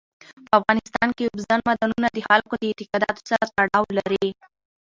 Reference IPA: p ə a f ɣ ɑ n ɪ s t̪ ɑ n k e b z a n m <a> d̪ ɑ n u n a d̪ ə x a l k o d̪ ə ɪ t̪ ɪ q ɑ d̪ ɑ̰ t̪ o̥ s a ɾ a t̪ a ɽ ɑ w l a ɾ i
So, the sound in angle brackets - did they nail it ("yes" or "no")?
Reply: yes